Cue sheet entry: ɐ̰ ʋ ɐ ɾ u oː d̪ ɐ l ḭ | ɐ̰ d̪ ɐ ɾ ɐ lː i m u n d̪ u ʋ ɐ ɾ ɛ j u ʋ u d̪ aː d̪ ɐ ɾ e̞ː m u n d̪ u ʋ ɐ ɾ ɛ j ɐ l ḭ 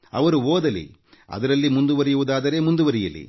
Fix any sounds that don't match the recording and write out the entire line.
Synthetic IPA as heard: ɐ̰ ʋ ɐ ɾ u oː d̪ ɐ l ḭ | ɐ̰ d̪ ɐ ɾ ɐ lː i m u n d̪ u ʋ ɐ ɾ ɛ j u ʋ u d̪ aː d̪ ɐ ɾ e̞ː m u n d̪ u ʋ ɐ ɾ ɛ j ɐ l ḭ